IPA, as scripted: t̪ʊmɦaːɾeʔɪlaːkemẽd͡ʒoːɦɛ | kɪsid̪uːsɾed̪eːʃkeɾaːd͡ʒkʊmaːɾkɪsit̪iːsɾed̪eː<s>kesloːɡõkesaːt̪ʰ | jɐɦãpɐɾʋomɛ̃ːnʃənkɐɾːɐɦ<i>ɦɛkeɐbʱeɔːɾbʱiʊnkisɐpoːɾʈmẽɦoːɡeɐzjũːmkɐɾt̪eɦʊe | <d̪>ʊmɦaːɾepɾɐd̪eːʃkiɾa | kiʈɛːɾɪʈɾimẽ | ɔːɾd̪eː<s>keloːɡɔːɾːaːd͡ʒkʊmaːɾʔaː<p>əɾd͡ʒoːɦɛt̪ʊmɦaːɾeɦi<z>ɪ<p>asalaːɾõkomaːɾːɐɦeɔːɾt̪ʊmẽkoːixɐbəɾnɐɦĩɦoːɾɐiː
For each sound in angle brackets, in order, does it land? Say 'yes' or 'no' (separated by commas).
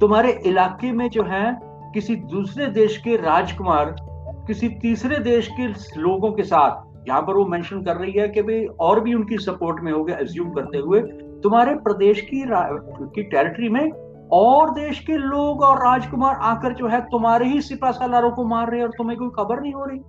no, yes, no, no, no, no, yes